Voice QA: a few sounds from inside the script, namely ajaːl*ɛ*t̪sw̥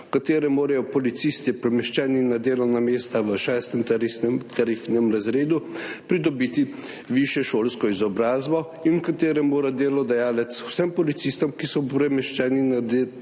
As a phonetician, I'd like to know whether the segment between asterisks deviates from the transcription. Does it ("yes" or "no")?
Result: no